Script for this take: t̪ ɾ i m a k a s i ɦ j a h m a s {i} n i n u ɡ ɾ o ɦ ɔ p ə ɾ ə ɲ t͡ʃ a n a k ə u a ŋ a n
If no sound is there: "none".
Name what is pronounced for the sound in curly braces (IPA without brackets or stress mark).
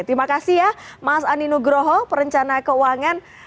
a